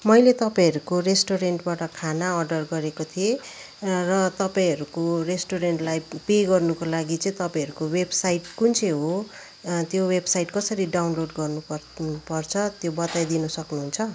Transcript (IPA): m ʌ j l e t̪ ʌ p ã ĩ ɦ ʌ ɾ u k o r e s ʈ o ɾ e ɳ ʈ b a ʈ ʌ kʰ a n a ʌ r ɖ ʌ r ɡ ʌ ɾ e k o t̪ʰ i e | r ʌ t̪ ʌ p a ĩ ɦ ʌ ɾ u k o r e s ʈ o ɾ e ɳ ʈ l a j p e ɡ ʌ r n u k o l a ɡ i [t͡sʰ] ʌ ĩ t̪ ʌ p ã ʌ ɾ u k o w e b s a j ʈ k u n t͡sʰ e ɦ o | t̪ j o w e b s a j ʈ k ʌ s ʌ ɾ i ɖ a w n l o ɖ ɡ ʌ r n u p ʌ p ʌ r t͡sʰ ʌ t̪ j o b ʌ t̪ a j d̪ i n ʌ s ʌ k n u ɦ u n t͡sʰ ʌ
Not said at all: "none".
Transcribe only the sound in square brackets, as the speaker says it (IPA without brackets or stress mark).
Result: t͡s